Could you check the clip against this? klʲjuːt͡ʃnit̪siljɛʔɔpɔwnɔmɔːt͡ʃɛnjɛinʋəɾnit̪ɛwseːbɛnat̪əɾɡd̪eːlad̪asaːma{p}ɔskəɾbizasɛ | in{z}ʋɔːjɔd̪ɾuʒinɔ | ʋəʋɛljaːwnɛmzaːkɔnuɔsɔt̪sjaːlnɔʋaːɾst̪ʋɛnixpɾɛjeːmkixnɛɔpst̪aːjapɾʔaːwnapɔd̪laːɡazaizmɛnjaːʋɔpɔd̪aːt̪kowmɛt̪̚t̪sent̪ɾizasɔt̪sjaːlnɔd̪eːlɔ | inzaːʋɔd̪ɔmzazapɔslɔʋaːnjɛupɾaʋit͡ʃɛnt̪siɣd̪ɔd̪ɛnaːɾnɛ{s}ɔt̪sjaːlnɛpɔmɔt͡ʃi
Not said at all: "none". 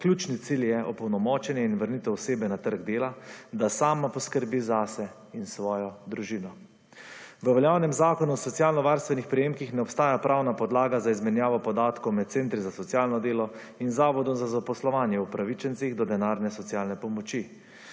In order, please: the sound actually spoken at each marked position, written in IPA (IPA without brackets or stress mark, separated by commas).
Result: p, s, s